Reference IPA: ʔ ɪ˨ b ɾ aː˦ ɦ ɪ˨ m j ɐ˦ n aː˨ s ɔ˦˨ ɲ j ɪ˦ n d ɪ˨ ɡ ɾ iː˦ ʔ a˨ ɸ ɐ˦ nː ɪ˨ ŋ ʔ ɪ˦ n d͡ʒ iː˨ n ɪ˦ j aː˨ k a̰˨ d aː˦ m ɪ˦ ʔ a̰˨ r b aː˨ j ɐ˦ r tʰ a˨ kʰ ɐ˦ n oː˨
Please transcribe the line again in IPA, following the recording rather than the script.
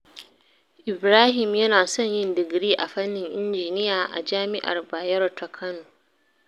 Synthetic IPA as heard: ʔ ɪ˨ b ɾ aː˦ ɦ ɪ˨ m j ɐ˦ n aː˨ s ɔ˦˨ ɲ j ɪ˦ n d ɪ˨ ɡ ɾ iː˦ ʔ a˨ ɸ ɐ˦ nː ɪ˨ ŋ ʔ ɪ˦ n d͡ʒ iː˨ n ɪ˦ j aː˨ ʔ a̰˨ d͡ʒ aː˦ m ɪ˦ ʔ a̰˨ r b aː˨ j ɐ˦ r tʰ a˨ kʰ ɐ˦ n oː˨